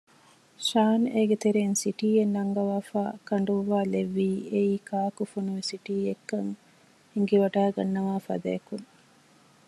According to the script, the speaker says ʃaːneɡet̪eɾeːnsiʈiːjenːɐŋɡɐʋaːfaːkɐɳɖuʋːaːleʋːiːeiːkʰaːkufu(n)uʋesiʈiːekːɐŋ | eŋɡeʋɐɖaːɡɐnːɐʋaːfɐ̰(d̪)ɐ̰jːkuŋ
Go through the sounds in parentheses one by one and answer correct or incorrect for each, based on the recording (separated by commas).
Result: correct, correct